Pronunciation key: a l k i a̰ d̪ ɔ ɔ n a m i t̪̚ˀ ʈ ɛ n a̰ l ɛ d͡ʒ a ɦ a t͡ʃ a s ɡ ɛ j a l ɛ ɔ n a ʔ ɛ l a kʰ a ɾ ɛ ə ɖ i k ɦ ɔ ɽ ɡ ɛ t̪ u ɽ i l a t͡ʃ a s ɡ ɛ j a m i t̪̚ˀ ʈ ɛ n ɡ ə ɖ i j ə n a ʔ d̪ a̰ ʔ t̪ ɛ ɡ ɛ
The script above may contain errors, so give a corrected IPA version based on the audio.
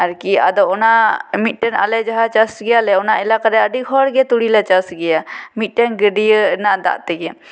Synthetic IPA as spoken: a ɾ k i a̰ d̪ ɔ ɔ n a m i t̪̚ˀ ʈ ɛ n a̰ l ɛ d͡ʒ a ɦ a t͡ʃ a s ɡ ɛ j a l ɛ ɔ n a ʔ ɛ l a k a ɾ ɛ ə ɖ i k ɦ ɔ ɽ ɡ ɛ t̪ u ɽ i l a t͡ʃ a s ɡ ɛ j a m i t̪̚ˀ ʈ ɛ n ɡ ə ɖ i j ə n a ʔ d̪ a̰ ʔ t̪ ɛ ɡ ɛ